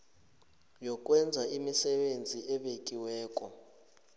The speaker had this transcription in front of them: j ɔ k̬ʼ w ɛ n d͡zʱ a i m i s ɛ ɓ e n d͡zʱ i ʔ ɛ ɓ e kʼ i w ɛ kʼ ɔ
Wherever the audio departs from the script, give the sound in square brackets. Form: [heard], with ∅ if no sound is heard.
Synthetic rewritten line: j ɔ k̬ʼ w ɛ n d͡zʱ a i m i s ɛ ɓ e n d͡zʱ i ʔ ɛ ɓ e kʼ i w [ɛː] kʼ ɔ